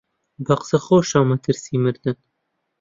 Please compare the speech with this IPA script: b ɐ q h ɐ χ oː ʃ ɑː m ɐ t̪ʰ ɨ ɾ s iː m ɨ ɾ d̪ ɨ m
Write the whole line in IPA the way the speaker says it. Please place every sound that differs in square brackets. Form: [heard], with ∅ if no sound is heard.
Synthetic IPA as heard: b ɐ q [s] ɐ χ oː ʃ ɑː m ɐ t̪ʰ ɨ ɾ s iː m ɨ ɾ d̪ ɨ [n]